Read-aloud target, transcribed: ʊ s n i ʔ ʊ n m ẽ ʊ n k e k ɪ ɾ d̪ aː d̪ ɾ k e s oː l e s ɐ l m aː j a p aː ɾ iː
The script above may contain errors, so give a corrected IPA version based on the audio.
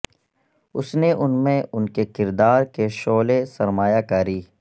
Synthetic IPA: ʊ s n e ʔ ʊ n m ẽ ʊ n k e k ɪ ɾ d̪ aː ɾ k e ʃ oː l e s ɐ ɾ m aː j a k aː ɾ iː